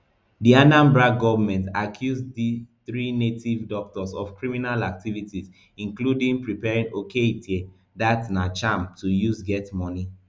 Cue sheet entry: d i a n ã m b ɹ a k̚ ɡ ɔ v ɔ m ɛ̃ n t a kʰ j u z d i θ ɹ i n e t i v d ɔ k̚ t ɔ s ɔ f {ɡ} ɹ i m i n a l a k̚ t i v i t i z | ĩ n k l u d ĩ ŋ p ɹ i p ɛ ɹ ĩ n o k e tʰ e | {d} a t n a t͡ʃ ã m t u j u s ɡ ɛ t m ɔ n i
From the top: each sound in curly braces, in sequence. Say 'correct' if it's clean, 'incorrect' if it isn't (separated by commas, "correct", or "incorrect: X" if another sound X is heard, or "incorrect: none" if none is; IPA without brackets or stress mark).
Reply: incorrect: k, correct